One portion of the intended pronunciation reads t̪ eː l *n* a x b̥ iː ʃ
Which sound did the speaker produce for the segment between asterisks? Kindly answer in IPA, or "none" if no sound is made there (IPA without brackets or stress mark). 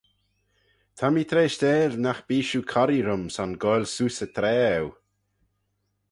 n